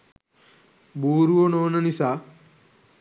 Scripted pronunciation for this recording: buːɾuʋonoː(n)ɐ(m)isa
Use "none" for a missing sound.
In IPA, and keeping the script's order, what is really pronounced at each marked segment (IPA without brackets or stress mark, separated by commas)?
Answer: n, n